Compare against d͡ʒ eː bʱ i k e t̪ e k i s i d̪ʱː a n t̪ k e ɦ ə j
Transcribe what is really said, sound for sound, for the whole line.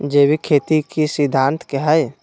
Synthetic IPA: d͡ʒ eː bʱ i kʰ e t̪ i k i s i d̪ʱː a n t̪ k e ɦ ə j